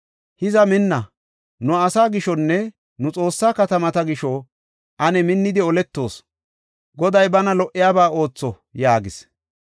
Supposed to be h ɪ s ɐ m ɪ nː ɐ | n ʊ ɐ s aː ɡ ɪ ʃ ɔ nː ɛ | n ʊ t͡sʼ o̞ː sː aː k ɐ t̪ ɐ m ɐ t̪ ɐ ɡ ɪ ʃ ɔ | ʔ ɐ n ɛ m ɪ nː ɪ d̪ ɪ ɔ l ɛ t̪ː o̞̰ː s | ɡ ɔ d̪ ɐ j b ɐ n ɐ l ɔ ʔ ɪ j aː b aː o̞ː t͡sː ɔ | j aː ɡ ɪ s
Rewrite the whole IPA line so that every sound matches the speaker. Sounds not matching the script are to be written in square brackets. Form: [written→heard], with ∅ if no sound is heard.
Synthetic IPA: h ɪ [s→z] ɐ m ɪ nː ɐ | n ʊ ɐ s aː ɡ ɪ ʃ ɔ nː ɛ | n ʊ t͡sʼ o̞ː sː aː k ɐ t̪ ɐ m ɐ t̪ ɐ ɡ ɪ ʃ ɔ | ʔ ɐ n ɛ m ɪ nː ɪ d̪ ɪ ɔ l ɛ t̪ː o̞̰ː s | ɡ ɔ d̪ ɐ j b ɐ n ɐ l ɔ ʔ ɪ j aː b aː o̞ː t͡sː ɔ | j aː ɡ ɪ s